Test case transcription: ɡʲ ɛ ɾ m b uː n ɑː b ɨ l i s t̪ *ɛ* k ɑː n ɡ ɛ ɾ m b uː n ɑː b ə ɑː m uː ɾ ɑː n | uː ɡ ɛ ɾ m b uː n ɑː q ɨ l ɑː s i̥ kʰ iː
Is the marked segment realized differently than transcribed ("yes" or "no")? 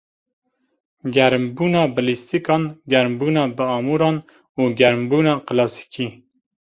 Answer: yes